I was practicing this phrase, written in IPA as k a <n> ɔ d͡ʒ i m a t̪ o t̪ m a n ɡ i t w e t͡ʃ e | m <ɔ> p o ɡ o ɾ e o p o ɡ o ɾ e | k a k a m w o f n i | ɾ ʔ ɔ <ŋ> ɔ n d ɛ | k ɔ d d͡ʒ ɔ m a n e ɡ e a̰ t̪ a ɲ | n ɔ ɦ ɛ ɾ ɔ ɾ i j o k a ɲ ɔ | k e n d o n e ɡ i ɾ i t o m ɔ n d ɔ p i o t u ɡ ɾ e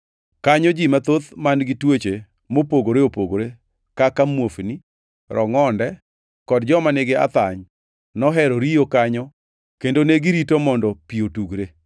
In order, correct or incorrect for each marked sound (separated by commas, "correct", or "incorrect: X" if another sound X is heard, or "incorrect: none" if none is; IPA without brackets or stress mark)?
incorrect: ɲ, incorrect: o, correct